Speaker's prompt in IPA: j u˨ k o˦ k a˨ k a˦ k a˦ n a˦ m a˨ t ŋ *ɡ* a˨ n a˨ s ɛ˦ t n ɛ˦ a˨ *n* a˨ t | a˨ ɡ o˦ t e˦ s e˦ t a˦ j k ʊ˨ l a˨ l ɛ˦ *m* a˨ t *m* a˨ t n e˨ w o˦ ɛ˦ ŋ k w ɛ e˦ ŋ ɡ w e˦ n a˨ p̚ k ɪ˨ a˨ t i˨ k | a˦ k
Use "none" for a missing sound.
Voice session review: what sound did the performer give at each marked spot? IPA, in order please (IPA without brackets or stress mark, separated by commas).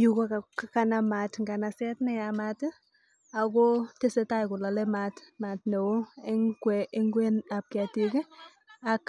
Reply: ɡ, m, m, m